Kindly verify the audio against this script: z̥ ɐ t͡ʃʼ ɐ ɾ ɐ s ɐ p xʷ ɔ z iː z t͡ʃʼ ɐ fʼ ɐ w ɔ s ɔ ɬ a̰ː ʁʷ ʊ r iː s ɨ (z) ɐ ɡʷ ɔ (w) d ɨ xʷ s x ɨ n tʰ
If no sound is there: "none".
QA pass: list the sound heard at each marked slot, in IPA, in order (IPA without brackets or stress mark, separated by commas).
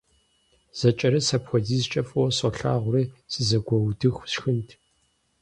z, w